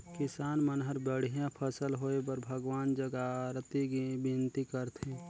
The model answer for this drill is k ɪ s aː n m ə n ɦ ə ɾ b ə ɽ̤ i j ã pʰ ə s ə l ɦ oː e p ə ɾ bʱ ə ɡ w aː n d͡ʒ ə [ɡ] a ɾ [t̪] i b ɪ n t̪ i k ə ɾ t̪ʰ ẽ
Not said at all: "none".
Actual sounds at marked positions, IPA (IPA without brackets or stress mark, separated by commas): ɡ, t̪